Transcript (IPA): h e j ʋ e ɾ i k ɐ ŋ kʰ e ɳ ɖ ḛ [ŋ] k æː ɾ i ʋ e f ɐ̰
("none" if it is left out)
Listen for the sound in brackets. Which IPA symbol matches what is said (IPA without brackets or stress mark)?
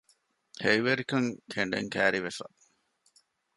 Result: ŋ